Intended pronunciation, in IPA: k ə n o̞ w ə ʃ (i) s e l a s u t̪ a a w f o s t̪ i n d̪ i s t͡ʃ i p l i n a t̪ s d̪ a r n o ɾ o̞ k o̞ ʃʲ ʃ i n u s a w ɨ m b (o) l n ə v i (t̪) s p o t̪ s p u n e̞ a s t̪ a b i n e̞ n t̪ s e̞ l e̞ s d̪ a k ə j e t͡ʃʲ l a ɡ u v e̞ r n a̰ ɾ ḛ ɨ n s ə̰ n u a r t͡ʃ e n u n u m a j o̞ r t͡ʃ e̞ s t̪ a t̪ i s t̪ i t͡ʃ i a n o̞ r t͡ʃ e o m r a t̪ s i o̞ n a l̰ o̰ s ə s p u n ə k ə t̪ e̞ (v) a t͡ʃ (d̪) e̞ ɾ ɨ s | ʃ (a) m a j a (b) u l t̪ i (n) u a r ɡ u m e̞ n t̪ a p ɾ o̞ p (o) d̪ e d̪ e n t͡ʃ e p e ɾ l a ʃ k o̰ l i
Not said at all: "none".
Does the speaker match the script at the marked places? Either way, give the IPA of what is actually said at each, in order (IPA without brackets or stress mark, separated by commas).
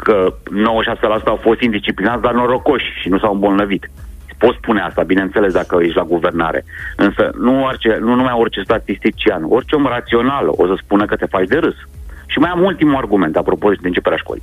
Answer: a, o, t̪, f, d̪, i, m, m, o